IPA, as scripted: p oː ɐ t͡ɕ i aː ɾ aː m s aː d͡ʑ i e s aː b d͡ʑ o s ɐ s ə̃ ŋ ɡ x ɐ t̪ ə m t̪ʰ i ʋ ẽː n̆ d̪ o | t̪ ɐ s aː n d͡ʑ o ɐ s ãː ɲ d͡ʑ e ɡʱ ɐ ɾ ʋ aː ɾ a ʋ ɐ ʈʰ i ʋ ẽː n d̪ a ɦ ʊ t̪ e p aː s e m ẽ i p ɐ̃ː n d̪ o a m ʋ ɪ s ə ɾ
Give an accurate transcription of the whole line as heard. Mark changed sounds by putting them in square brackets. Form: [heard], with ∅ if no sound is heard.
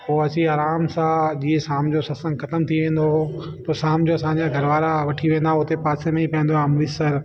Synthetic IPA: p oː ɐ t͡ɕ i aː ɾ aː m s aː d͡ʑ i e s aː [m] d͡ʑ o s ɐ s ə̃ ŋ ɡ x ɐ t̪ ə m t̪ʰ i ʋ ẽː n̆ d̪ o | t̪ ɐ s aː [m] d͡ʑ o ɐ s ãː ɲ d͡ʑ [a] ɡʱ ɐ ɾ ʋ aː ɾ a ʋ ɐ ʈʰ i ʋ ẽː n d̪ a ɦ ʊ t̪ e p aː s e m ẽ i p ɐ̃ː n d̪ o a m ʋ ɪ s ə ɾ